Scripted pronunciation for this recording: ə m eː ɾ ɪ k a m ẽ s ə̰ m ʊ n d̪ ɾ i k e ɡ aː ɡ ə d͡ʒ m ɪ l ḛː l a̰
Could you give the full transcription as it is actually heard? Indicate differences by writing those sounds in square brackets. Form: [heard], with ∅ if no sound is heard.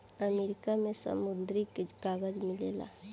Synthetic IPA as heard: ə m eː ɾ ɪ k a m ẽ s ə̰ m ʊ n d̪ ɾ i k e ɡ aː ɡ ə d͡ʒ m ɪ l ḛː l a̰